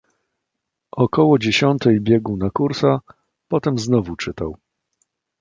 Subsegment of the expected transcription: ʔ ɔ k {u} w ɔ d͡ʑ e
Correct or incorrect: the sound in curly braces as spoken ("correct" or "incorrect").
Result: incorrect